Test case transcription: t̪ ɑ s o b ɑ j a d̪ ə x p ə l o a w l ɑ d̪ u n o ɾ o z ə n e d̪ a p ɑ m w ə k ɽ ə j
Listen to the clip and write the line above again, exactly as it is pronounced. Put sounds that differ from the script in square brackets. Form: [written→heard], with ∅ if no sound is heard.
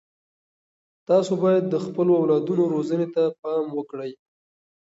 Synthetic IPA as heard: t̪ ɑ s o b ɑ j a [d̪→d̪ː] ə x p ə l o a w l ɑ d̪ u n o ɾ o z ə n e [d̪→t̪] a p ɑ m w ə k ɽ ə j